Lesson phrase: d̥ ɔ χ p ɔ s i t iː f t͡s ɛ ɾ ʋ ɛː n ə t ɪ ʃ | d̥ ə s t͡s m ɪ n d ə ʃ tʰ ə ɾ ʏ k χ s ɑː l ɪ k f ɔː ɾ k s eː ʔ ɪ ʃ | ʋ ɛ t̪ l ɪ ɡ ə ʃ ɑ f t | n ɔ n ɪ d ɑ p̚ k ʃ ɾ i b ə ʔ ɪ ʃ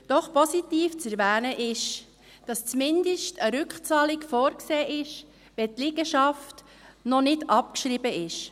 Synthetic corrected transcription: d̥ ɔ χ p ɔ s i t iː f t͡s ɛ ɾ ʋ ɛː n ə ʔ ɪ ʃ | d̥ ɑ s t͡s m ɪ n d ə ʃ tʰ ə ɾ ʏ k χ t͡s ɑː l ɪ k f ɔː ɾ k s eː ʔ ɪ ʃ | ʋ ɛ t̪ l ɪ ɡ ə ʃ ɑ f t | n ɔ n ɪ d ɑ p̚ k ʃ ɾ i b ə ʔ ɪ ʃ